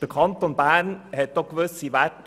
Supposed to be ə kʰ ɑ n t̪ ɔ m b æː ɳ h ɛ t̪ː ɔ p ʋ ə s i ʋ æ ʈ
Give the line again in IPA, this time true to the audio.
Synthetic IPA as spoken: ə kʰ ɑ n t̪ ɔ n b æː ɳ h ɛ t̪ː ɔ k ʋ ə s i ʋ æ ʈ